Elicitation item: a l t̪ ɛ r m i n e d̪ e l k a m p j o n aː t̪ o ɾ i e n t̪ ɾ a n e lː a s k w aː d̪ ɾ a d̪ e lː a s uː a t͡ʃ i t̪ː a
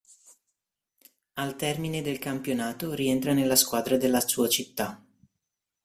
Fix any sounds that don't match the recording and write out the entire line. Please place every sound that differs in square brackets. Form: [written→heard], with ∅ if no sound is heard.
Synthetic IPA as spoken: a l t̪ ɛ r m i n e d̪ e l k a m p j o n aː t̪ o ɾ i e n t̪ ɾ a n e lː a s k w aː d̪ ɾ a d̪ e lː a s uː a t͡ʃ i t̪ː a